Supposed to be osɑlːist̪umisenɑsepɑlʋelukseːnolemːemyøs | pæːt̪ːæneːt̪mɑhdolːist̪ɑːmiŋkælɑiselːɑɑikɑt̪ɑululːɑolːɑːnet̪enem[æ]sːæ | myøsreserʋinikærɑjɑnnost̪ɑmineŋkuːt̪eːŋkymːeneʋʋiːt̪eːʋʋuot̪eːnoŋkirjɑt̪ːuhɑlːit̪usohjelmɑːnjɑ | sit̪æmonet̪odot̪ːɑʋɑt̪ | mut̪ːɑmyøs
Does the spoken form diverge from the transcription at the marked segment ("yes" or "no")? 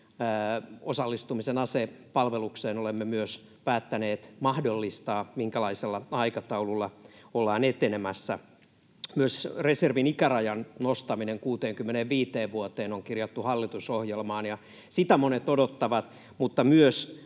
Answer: no